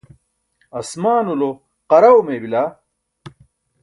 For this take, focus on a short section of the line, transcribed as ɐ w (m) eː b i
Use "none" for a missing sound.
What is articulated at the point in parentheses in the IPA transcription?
m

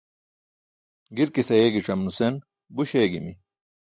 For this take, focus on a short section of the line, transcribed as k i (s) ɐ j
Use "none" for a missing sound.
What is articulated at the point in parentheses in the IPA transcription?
s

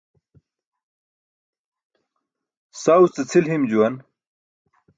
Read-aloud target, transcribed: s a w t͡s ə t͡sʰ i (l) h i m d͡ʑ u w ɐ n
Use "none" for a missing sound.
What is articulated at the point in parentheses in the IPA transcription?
l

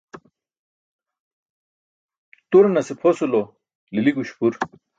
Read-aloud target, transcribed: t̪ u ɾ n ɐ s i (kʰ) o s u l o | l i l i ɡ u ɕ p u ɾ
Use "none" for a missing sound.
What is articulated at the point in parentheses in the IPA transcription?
pʰ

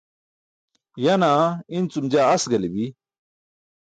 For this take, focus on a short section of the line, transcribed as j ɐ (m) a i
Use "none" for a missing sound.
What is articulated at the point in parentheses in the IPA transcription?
n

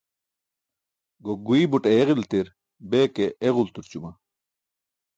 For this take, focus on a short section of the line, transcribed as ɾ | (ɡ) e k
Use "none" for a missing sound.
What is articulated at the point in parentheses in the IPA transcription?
b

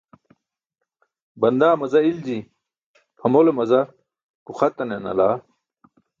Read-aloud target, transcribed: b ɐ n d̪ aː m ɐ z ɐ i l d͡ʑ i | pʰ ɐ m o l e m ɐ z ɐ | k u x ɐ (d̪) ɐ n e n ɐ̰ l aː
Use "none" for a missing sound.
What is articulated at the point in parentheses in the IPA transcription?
t̪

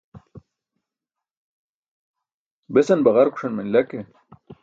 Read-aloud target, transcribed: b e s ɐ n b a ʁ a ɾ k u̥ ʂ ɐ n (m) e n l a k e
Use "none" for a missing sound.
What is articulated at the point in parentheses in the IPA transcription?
m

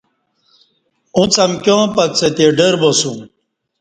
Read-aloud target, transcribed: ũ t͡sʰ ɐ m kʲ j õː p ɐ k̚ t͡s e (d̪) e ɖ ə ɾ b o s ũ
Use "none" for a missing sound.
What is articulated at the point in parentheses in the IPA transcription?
t̪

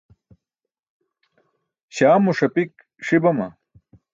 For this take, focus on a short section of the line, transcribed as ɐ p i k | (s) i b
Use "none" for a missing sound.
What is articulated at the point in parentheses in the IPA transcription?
ʂ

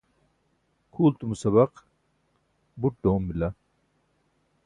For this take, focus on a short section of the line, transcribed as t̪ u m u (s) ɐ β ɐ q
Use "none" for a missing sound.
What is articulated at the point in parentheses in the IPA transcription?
s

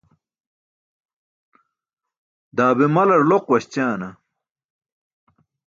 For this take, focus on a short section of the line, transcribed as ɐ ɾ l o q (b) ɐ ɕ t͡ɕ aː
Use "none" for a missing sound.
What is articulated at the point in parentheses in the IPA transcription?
w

